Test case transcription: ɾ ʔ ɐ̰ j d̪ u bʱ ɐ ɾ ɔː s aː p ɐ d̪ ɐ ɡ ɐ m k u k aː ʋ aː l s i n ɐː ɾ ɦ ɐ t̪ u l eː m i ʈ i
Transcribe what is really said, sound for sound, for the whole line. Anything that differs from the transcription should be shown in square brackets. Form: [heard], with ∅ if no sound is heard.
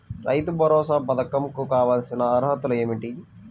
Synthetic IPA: ɾ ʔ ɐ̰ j [t̪] u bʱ ɐ ɾ ɔː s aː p ɐ d̪ ɐ [k] ɐ m k u k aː ʋ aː l s i n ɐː ɾ ɦ ɐ t̪ u l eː m i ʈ i

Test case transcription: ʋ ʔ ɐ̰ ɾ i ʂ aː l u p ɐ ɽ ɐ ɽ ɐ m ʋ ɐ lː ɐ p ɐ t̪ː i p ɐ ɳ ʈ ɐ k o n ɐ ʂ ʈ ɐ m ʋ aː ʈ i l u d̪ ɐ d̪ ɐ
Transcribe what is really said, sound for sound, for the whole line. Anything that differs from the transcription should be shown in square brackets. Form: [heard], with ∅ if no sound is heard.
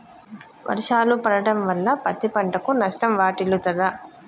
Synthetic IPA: ʋ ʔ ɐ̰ ɾ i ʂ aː l u p ɐ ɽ ɐ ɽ ɐ m ʋ ɐ lː ɐ p ɐ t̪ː i p ɐ ɳ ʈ ɐ k [u] n ɐ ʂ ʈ ɐ m ʋ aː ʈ i l u [t̪] ɐ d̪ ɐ

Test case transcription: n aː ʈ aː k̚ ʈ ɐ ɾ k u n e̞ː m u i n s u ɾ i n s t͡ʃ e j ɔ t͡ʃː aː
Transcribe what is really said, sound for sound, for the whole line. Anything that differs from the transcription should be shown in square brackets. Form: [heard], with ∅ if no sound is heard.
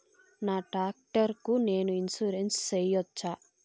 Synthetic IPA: n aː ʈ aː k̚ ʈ ɐ ɾ k u n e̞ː [n] u i n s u ɾ [e] n s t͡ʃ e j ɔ t͡ʃː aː

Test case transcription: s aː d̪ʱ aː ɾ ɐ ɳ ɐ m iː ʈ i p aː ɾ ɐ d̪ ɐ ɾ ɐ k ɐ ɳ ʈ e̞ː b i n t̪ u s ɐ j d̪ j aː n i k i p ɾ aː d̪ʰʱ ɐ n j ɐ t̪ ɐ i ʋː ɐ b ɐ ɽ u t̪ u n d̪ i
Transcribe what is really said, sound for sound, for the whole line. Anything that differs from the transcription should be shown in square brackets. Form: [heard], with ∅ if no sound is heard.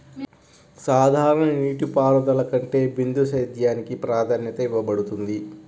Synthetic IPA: s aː d̪ʱ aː ɾ ɐ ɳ ɐ [n] iː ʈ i p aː ɾ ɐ d̪ ɐ [l] ɐ k ɐ ɳ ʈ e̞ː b i n [d̪] u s ɐ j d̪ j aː n i k i p ɾ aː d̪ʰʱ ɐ n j ɐ t̪ ɐ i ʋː ɐ b ɐ ɽ u t̪ u n d̪ i

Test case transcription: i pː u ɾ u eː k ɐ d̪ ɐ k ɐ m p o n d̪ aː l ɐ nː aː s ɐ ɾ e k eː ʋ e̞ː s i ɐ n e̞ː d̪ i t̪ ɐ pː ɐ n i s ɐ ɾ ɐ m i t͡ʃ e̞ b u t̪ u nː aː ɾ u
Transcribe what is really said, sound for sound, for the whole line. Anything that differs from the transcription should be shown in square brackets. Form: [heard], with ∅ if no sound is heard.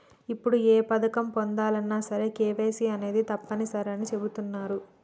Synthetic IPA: i pː u [ɽ] u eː [p] ɐ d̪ ɐ k ɐ m p o n d̪ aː l ɐ nː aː s ɐ ɾ e k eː ʋ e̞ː s i ɐ n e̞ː d̪ i t̪ ɐ pː ɐ n i s ɐ ɾ ɐ [n] i t͡ʃ e̞ b u t̪ u nː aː ɾ u

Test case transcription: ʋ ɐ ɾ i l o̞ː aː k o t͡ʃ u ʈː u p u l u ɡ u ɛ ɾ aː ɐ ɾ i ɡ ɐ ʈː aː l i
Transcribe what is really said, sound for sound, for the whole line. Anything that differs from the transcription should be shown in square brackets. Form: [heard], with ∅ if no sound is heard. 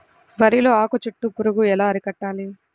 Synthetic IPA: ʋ ɐ ɾ i l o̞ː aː k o t͡ʃ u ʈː u p u [ɾ] u ɡ u ɛ [l] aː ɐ ɾ i [k] ɐ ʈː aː l i

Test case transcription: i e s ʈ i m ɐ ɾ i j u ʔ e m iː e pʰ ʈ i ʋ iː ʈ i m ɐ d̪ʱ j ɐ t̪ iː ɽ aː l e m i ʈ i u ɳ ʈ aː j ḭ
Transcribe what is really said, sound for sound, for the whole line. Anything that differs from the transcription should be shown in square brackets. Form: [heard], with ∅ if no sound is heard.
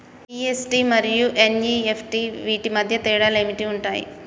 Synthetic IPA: i e s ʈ i m ɐ ɾ i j u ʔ e [n] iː e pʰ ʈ i ʋ iː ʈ i m ɐ d̪ʱ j ɐ t̪ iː ɽ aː l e m i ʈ i u ɳ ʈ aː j ḭ

